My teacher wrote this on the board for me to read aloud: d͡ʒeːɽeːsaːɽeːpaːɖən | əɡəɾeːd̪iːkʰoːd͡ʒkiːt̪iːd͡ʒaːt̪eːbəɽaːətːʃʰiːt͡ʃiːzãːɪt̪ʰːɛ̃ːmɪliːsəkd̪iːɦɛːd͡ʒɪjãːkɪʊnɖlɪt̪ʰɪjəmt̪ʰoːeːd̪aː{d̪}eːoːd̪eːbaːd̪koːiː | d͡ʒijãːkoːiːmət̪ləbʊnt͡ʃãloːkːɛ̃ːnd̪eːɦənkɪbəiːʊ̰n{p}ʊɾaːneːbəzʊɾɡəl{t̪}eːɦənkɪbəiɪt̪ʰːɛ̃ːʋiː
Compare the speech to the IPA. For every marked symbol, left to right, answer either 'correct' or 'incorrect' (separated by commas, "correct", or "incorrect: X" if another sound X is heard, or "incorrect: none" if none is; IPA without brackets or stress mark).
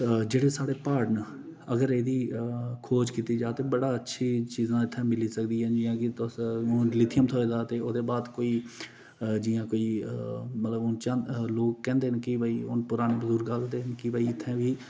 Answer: incorrect: t̪, correct, incorrect: d̪